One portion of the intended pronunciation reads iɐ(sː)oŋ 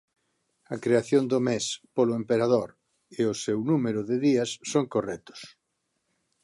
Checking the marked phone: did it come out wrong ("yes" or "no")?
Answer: no